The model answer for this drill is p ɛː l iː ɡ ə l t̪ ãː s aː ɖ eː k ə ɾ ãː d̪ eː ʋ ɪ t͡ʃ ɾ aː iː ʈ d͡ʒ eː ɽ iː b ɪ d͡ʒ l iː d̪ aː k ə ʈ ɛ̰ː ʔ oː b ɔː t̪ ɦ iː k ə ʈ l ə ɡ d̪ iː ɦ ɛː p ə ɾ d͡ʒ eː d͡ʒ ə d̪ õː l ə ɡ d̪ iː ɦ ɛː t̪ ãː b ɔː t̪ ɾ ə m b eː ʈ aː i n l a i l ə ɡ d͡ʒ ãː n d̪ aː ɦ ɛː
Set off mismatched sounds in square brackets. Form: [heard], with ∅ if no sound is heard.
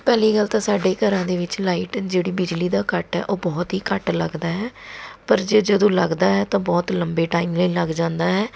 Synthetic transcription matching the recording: p ɛː l iː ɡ ə l t̪ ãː s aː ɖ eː k ə ɾ ãː d̪ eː ʋ ɪ t͡ʃ [l] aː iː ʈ d͡ʒ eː ɽ iː b ɪ d͡ʒ l iː d̪ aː k ə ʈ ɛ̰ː ʔ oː b ɔː t̪ ɦ iː k ə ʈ l ə ɡ d̪ [aː] ɦ ɛː p ə ɾ d͡ʒ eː d͡ʒ ə d̪ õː l ə ɡ d̪ [aː] ɦ ɛː t̪ ãː b ɔː t̪ [l] ə m b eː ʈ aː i [m] l [ə] i l ə ɡ d͡ʒ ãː n d̪ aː ɦ ɛː